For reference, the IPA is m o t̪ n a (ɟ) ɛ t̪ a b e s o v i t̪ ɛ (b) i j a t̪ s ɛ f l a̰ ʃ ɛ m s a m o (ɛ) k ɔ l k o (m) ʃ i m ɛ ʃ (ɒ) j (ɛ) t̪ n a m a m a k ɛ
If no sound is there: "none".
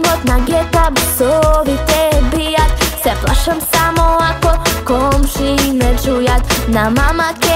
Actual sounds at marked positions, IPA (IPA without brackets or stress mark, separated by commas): ɡ, b, a, m, u, a